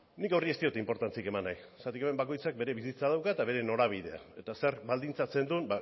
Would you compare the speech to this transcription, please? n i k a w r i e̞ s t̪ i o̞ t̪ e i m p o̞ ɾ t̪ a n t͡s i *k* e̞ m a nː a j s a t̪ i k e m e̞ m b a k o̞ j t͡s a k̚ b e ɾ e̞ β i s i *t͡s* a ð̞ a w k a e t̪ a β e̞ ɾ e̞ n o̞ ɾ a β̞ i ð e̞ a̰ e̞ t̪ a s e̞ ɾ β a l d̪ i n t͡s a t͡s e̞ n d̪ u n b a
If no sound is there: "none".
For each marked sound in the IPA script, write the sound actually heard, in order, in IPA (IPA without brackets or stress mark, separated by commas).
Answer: k, t͡s